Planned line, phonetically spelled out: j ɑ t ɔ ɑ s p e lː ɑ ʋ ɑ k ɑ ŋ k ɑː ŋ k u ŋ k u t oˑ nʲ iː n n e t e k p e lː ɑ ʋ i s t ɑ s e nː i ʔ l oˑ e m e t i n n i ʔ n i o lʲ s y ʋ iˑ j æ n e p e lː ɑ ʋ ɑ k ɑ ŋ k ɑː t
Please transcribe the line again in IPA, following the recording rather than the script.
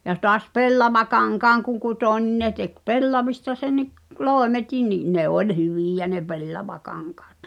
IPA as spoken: j ɑ t ɔ ɑ s p e lː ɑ ʋ ɑ k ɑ ŋ k ɑː ŋ k u ŋ k u t oˑ nʲ i n n e t e k p e lː ɑ ʋ i s t ɑ s e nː i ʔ l oˑ e m e t i n n i ʔ n e o lʲ h y ʋ iˑ j æ n e p e lː ɑ ʋ ɑ k ɑ ŋ k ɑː t

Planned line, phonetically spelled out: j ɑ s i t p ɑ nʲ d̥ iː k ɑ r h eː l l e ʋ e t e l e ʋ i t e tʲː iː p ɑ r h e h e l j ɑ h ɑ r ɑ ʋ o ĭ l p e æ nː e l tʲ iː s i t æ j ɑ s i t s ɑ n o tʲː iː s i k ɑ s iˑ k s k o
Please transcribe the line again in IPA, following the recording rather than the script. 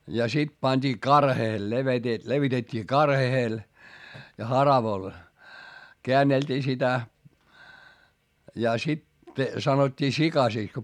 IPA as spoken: j ɑ s i t p ɑ nʲ d̥ iː k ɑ r h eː l l e ʋ e t e l e ʋ i t e tʲː iː k ɑ r h e h e l j ɑ h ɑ r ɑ ʋ o ĭ l k e æ nː e l tʲ iː s i t æ j ɑ s i t s ɑ n o tʲː iː s i k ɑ s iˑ k s k o

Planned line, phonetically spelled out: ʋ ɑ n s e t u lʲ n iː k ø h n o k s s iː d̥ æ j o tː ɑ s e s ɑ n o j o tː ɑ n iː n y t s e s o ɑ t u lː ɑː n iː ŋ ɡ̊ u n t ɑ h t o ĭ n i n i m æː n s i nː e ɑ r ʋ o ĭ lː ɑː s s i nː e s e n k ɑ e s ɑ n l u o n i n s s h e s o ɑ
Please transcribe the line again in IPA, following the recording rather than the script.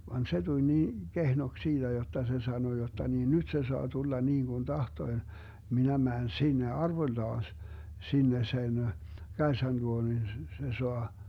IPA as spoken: ʋ ɑ n s e t u lʲ n iː k e h n o k s s iː d̥ æ j o tː ɑ s e s ɑ n o j o tː ɑ n iː n y t s e s o ɑ t u lː ɑ n iː ŋ ɡ̊ u n t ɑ h t o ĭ m i n æ m æː n s i nː e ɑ r ʋ o ĭ lː ɑː s s i nː e s e n k ɑ e s ɑ n l u o n i n s s s e s o ɑ

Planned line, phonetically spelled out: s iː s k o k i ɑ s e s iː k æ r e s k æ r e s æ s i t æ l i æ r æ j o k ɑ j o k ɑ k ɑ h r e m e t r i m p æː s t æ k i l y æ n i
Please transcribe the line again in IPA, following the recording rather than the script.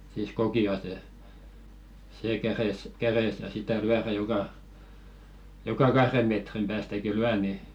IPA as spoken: s iː s k o k i ɑ s e s eː k æ r e s k æ r e s æ s i t æ l y æ r æ j o k ɑ j o k ɑ k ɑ h r e m e t r i m p æː s t æ k i l y æ n i

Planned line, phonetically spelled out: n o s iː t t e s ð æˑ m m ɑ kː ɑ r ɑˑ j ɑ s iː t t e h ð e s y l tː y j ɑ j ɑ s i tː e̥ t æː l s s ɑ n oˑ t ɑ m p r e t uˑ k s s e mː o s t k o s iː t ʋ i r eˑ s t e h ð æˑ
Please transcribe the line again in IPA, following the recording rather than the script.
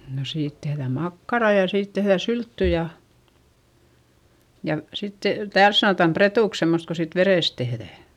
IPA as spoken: n o s iː t t e h ð æˑ m m ɑ kː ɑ r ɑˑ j ɑ s iː t t e h ð æ s y l tː y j ɑ j ɑ s i tː e̥ t æː l s s ɑ n oˑ t ɑ m p r e t uˑ k s s e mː o s t k o s iː t ʋ e r eˑ s t e h ð æˑ

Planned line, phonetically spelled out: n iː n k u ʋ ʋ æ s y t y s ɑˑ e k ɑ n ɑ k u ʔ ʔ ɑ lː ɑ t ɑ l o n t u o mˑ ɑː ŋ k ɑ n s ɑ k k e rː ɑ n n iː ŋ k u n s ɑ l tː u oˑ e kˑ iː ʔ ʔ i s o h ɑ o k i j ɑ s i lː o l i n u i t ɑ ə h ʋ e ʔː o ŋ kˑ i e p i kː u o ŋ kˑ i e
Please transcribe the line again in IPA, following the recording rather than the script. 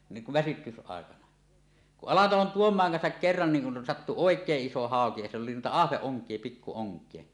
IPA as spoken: n iː ŋ k u ʋ ʋ æ s y t y s ɑˑ e k ɑ n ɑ k u ʔ ʔ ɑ l ɑ t ɑ l o n t u o mˑ ɑː ŋ k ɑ n s ɑ k k e rː ɑ n n iː ŋ k u n s ɑ tː u oˑ e kˑ eː ʔ ʔ i s o h ɑ o k i j ɑ s i lː o l i n u i t ɑ ɑ h ʋ e ʔː o ŋ kˑ i e p i kː u o ŋ kˑ i e

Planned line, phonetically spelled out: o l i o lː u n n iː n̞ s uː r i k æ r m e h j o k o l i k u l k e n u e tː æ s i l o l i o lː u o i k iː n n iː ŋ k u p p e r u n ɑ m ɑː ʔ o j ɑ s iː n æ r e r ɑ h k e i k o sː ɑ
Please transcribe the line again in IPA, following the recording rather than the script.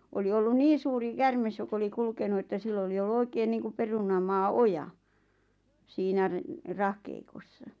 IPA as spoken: o l i o lː u n n iː n̞ s uː r i k æ r m e s j o k o l i k u l k e n u e tː æ s i lː o l i o lː u o i k eː n n iː ŋ k u p p e r u n ɑ m ɑː ʔ o j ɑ s iː n æ r e r ɑ h k e i k o sː ɑ

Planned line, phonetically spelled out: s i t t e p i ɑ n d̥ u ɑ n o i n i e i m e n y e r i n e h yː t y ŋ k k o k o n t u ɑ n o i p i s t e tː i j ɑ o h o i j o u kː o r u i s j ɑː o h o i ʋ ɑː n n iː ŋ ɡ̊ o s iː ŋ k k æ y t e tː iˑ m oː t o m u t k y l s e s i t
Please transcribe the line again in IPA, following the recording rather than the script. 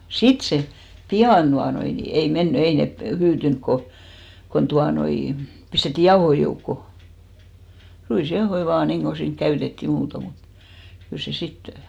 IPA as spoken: s i t s e p i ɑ n d̥ u ɑ n o i n i e i m e nː y e i n e h yː t y ŋ k k o k o n t u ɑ n o i p i s t e tː i j ɑ o h o i j o u kː o r u i s j ɑ o h o i ʋ ɑː n n iː ŋ ɡ̊ o s iː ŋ k k æ y t e tː iˑ m uː t o m u t k y l s e s i t

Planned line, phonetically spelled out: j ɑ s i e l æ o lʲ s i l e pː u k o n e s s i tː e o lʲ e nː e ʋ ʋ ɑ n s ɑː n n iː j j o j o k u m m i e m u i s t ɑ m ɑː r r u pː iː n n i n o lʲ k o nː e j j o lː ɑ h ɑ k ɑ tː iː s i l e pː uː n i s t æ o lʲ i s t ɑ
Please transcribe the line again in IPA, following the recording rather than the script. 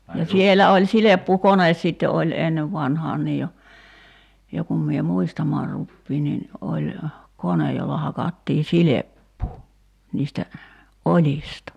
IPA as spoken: j ɑ s i e l æ o lʲ s i l e pː u k o n e s s i tː e o lʲ e nː e ʋ ʋ ɑ n h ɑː n n iː j j o j o k u m m i e m u i s t ɑ m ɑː r r u pː iː n n i n o lʲ k o n e j j o lː ɑ h ɑ k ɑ tː iː s i l e pː uː n iː s t æ o lʲ i s t ɑ

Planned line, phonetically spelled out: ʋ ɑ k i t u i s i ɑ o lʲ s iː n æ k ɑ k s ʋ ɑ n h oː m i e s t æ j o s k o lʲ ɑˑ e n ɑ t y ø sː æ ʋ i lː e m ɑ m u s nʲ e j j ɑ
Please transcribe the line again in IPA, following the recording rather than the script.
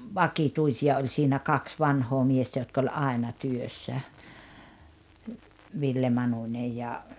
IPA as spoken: ʋ ɑ k i t u i s i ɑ o lʲ s iː n æ k ɑ k s ʋ ɑ n h oː m i e s t æ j o t k o lʲ ɑˑ e n ɑ t y ø sː æ ʋ i lː e m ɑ n u nʲ e j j ɑ

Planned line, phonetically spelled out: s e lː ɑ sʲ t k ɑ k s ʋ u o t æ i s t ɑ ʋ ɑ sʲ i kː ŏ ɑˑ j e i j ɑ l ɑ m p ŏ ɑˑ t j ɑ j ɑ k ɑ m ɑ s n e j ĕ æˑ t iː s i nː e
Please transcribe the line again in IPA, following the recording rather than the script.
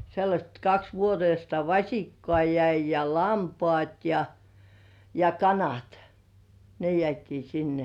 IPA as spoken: s e lː ɑ sʲ t k ɑ k s ʋ u o t e i s t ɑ ʋ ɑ sʲ i kː ŏ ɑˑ j æ i j ɑ l ɑ m p ŏ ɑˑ t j ɑ j ɑ k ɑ n ɑ t n e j ĕ æˑ t iː s i nː e

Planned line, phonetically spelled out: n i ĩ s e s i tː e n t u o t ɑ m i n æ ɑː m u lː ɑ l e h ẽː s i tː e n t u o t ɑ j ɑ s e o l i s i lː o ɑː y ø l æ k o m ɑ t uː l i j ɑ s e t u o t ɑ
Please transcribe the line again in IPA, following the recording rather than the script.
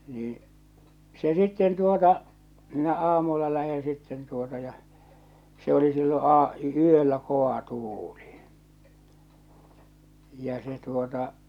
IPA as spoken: n iː ĩ s e s i tː e n t u o t ɑ m i n æ ɑː m u lː ɑ l æ h ẽː s i tː e n t u o t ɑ j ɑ s e o l i s i lː o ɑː y ø lː æ k o ɑ t uː l i j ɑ s e t u o t ɑ

